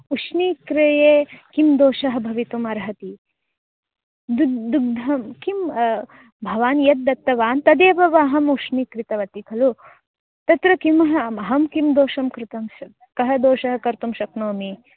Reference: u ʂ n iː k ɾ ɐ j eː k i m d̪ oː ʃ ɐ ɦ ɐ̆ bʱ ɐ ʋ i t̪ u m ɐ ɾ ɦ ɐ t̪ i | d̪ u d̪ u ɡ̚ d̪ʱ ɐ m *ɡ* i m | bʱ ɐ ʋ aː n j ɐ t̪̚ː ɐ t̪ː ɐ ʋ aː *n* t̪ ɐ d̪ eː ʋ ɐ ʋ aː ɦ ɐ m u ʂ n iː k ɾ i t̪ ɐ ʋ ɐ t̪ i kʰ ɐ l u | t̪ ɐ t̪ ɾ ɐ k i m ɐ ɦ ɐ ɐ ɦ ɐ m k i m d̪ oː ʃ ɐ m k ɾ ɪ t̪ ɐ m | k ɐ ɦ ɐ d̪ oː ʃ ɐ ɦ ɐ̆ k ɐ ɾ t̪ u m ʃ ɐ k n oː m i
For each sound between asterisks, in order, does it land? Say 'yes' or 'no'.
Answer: no, yes

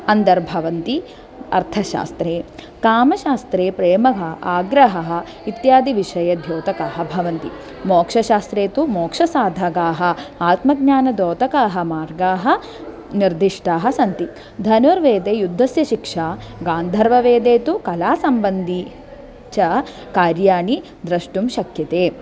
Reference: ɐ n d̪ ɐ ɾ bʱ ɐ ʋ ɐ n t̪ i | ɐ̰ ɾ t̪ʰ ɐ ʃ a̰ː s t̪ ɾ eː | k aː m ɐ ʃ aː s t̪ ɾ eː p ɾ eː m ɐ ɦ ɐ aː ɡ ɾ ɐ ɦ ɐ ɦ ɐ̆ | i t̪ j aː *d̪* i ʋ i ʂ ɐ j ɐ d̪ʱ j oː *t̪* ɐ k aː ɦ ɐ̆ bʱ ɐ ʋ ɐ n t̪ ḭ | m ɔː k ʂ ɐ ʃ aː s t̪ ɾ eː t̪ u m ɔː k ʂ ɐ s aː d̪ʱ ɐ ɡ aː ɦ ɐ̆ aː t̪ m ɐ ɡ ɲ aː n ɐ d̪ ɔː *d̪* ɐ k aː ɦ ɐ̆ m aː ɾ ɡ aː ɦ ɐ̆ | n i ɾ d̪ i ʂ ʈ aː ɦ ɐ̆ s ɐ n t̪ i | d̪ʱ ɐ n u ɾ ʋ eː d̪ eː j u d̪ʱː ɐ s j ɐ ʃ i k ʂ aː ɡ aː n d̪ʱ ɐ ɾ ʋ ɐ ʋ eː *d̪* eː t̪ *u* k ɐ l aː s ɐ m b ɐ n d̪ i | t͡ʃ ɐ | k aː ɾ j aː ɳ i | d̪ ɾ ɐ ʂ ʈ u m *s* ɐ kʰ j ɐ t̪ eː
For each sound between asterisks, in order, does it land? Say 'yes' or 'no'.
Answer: yes, yes, no, yes, yes, no

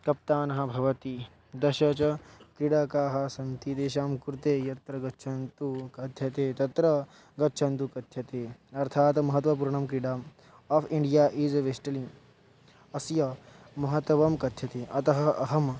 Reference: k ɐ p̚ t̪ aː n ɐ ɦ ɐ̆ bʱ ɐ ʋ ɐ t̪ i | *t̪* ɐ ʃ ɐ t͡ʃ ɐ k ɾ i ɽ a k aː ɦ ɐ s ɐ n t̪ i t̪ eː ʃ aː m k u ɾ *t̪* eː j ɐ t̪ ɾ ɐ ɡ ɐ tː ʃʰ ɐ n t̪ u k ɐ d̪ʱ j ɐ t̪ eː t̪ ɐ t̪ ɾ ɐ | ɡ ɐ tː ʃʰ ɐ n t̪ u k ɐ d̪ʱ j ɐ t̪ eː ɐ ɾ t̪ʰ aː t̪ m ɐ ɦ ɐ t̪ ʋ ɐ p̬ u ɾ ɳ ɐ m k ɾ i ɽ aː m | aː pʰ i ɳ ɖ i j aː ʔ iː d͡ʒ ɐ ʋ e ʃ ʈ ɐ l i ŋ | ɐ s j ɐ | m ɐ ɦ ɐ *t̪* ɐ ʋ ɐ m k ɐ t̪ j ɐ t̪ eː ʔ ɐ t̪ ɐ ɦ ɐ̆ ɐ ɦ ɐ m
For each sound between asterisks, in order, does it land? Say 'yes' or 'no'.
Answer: no, yes, yes

